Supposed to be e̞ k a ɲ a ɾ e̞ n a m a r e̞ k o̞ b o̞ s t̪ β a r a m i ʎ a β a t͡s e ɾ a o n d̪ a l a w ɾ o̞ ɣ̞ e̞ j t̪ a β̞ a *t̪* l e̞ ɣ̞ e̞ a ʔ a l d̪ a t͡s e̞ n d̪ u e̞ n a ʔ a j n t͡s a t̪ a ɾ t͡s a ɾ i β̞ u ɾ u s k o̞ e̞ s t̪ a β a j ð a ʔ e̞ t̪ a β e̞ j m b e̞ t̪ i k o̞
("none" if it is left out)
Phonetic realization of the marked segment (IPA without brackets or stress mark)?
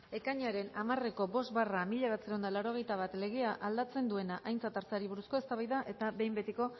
t̪